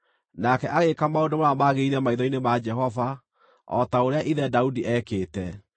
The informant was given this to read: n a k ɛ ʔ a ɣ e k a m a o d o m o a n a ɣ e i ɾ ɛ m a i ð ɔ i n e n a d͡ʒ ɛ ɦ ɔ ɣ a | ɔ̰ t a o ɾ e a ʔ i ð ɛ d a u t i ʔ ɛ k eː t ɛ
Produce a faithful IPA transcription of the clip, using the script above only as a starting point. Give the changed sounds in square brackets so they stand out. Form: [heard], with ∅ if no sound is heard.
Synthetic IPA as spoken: n a k ɛ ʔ a ɣ e k a m a o d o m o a [m] a ɣ e i ɾ ɛ m a i ð ɔ i n e [m] a d͡ʒ ɛ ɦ ɔ [v] a | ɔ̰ t a o ɾ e a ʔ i ð ɛ d a u [d] i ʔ ɛ k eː t ɛ